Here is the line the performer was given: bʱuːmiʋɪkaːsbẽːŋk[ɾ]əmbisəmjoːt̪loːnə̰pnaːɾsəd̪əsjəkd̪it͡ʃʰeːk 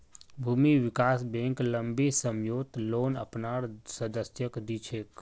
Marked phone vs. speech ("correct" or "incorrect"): incorrect